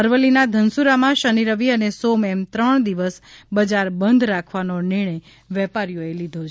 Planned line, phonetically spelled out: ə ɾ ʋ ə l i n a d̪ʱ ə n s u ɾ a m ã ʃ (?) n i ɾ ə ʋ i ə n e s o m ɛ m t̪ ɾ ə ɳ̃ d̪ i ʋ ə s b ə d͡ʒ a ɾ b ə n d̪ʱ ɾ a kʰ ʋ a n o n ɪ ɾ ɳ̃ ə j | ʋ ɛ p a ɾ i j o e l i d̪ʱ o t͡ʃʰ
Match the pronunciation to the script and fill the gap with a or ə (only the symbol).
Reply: ə